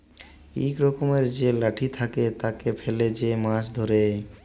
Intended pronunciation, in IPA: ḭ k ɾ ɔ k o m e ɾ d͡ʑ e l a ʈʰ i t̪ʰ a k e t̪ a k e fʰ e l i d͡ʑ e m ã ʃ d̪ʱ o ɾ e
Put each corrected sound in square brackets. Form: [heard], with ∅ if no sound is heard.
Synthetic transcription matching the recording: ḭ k ɾ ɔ k o m e ɾ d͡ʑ e l a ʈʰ i t̪ʰ a k e t̪ a k e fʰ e l [e] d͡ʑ e m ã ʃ d̪ʱ o ɾ e